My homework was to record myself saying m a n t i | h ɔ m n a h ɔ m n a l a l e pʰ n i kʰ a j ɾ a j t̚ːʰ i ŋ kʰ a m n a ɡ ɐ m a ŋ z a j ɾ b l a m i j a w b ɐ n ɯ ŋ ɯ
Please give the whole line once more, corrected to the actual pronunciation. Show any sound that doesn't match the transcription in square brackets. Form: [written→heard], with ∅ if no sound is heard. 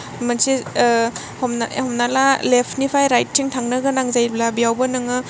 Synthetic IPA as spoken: m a n [t→s] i | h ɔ m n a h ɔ m n a l a l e pʰ n i [kʰ→pʰ] a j ɾ a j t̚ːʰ i ŋ [kʰ→tʰ] a [m→ŋ] n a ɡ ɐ [m→n] a ŋ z a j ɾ b l a [m→b] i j a w b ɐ n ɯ ŋ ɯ

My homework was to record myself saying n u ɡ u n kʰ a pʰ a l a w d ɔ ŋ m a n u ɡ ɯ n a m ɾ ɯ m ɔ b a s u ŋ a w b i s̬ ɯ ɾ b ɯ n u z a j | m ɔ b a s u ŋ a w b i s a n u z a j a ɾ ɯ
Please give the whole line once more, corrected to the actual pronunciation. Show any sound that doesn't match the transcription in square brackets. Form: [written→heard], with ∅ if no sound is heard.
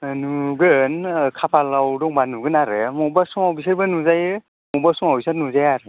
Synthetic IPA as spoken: n u ɡ [u→ɯ] n kʰ a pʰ a l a w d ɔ ŋ [m→b] a n u ɡ ɯ n a [m→∅] ɾ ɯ m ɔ b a s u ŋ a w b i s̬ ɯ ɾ b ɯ n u z a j | m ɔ b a s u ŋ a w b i s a n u z a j a ɾ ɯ

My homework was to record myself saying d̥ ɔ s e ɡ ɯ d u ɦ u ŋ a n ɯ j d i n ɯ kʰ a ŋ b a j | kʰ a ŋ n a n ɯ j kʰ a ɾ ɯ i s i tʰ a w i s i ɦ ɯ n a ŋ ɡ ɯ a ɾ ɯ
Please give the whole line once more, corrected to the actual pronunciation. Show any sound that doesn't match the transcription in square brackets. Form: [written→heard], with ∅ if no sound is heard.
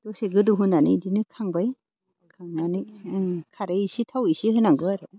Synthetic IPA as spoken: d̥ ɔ s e ɡ ɯ d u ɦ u [ŋ→n] a n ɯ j d i n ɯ kʰ a ŋ b a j | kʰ a ŋ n a n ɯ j kʰ a ɾ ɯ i s i tʰ a w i s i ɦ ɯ n a ŋ ɡ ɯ a ɾ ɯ

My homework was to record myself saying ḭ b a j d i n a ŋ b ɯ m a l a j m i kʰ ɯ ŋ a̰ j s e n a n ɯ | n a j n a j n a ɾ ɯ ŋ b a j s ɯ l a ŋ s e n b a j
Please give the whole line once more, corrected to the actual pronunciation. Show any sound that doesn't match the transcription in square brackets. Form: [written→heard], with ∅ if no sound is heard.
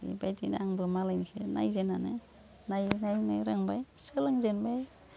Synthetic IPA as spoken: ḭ b a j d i n a ŋ b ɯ m a l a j [m→n] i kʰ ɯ [ŋ→n] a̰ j [s→z] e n a n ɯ | n a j n a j n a ɾ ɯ ŋ b a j s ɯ l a ŋ [s→z] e n b a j

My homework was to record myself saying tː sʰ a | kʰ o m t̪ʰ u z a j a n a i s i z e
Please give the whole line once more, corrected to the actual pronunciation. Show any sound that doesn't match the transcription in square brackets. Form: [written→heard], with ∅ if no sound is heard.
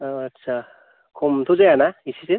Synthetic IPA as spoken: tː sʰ a | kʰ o m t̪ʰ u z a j a n a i s i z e

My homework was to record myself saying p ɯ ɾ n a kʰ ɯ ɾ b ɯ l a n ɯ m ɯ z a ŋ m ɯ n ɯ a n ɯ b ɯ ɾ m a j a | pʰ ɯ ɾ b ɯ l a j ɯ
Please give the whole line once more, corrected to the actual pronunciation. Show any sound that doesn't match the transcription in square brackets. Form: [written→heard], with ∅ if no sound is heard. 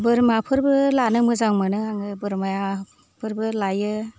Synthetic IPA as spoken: [p→b] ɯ ɾ [n→m] a [kʰ→pʰ] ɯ ɾ b ɯ l a n ɯ m ɯ z a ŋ m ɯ n ɯ a [n→ŋ] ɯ b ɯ ɾ m a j a | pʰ ɯ ɾ b ɯ l a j ɯ

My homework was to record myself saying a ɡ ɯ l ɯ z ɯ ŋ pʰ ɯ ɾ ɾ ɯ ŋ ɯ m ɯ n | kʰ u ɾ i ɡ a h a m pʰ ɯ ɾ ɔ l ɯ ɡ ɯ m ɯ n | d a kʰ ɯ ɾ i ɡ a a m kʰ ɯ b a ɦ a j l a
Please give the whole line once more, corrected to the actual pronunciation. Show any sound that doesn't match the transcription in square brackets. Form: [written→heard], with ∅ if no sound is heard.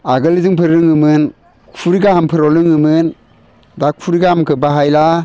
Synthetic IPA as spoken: a ɡ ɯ l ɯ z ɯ ŋ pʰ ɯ ɾ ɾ ɯ ŋ ɯ m ɯ n | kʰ u ɾ i ɡ a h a m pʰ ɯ ɾ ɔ l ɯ [ɡ→ŋ] ɯ m ɯ n | d a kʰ [ɯ→u] ɾ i ɡ a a m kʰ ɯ b a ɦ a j l a

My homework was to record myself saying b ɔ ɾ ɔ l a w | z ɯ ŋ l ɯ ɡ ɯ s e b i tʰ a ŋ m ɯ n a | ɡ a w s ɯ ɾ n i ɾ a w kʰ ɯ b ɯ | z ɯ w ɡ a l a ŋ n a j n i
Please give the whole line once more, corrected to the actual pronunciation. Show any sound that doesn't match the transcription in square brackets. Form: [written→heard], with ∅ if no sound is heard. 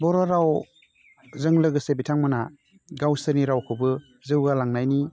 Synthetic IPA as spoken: b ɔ ɾ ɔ [l→ɾ] a w | z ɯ ŋ l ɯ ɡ ɯ s e b i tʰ a ŋ m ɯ n a | ɡ a w s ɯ ɾ n i ɾ a w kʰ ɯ b ɯ | z ɯ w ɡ a l a ŋ n a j n i

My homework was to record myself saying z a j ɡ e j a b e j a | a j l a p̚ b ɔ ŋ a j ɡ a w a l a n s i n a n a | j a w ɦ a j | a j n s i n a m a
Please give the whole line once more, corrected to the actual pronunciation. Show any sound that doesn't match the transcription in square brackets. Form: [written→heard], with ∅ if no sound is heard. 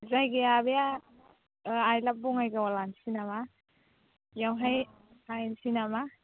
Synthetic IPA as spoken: z a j ɡ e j a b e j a | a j l a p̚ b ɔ ŋ a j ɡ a w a l a n s i n a [n→m] a | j a w ɦ a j | a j n s i n a m a

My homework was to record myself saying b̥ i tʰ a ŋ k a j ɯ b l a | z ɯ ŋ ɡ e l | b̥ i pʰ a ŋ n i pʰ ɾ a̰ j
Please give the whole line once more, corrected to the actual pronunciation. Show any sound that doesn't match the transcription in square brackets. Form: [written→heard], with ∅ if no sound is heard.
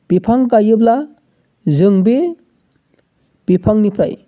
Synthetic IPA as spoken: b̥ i [tʰ→pʰ] a ŋ k a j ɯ b l a | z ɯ ŋ [ɡ→b] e [l→∅] | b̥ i pʰ a ŋ n i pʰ ɾ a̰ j

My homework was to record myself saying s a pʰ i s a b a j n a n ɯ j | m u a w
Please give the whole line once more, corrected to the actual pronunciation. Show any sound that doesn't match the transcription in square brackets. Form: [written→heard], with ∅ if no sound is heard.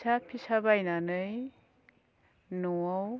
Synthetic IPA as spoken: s a pʰ i s a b a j n a n ɯ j | [m→n] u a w

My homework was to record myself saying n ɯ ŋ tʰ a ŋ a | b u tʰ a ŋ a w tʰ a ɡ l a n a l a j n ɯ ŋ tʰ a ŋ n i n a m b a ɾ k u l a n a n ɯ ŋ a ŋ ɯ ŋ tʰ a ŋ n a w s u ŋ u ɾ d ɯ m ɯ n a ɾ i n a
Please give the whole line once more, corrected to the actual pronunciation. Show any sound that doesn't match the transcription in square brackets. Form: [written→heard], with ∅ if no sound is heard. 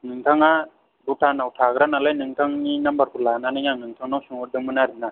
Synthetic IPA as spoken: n ɯ ŋ tʰ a ŋ a | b u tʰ a [ŋ→n] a w tʰ a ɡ [l→ɾ] a n a l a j n ɯ ŋ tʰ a ŋ n i n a m b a ɾ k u l a n a n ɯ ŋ a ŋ ɯ ŋ tʰ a ŋ n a w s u ŋ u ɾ d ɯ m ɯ n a ɾ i n a

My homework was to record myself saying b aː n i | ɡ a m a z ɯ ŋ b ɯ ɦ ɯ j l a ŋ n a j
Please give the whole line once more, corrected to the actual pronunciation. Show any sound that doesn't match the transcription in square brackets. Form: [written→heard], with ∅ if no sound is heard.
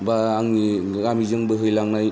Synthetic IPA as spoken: b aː [n→ŋ] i | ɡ a m [a→i] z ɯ ŋ b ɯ ɦ ɯ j l a ŋ n a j

